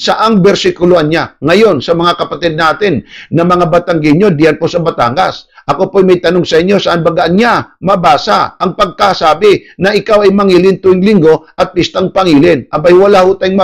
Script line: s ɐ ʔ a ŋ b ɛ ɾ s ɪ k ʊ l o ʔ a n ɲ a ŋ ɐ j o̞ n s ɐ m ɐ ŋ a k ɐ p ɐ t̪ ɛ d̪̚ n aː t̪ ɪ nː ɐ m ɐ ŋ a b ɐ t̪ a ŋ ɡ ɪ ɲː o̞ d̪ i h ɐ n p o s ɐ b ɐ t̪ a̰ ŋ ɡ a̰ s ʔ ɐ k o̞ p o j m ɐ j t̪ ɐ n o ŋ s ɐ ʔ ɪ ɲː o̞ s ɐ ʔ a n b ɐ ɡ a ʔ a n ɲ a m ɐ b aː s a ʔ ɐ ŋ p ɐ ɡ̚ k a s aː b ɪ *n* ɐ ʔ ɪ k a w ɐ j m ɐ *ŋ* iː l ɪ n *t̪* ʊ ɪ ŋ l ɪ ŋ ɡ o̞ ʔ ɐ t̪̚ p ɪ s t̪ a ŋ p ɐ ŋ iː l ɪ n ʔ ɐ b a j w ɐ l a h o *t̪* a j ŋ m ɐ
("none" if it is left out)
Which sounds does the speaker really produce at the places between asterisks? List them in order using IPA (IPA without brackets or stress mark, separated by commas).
n, ŋ, t̪, t̪